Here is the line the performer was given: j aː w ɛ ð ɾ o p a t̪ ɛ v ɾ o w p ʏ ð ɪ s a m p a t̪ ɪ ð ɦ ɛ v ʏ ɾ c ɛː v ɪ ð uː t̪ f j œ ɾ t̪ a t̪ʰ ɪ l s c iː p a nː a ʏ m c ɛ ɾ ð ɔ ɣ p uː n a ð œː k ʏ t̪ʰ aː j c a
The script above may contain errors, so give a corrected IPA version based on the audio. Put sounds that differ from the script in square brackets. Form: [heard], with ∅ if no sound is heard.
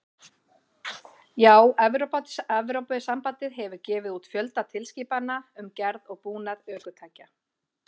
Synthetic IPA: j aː w ɛ [v] ɾ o p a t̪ ɛ v ɾ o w p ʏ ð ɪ s a m p a t̪ ɪ ð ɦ ɛ v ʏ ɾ c ɛː v ɪ ð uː t̪ f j œ [l] t̪ a t̪ʰ ɪ l s c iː p a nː a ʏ m c ɛ ɾ ð ɔ ɣ p uː n a ð œː k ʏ t̪ʰ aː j c a